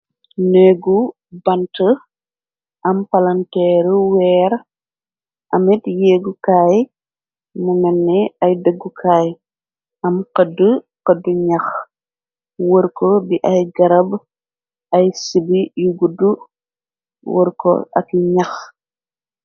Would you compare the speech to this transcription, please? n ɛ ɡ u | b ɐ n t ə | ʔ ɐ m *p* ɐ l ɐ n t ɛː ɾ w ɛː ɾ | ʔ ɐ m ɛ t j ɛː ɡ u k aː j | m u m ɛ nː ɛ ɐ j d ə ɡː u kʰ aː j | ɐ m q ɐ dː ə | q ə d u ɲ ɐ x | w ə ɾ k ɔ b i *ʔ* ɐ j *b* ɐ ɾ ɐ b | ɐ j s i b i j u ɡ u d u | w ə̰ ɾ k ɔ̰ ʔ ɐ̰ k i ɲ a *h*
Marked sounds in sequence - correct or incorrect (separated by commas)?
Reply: correct, correct, incorrect, incorrect